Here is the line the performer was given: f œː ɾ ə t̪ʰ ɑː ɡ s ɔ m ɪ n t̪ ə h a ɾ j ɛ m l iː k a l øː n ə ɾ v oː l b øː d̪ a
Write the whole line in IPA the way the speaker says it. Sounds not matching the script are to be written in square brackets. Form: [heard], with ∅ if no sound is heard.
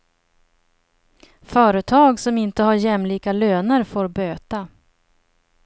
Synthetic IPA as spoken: f œː ɾ ə t̪ʰ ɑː ɡ s ɔ m ɪ n t̪ ə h a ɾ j ɛ m l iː k a l øː n ə ɾ [f] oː [ɾ] b øː [t̪] a